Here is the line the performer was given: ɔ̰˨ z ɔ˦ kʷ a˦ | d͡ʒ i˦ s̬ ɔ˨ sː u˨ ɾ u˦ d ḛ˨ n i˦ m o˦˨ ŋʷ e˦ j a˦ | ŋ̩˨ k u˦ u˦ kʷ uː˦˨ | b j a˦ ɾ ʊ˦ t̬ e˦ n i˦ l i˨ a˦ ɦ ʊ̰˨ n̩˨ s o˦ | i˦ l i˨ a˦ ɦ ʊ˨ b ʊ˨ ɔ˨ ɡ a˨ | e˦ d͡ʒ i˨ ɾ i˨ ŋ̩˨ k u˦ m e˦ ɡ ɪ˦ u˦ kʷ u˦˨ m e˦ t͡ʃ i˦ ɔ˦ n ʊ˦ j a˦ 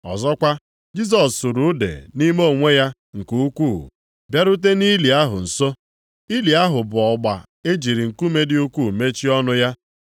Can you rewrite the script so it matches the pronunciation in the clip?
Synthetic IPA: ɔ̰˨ z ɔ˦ kʷ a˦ | d͡ʒ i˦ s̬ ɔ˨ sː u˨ ɾ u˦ d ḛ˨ n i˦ m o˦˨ ŋʷ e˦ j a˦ | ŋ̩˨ k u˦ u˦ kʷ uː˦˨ | b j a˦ ɾ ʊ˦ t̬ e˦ n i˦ l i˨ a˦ ɦ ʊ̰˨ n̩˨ s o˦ | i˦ l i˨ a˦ ɦ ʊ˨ b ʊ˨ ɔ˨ ɡ͡b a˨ | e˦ d͡ʒ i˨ ɾ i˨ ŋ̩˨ k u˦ m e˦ d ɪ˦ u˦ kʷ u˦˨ m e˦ t͡ʃ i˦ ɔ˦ n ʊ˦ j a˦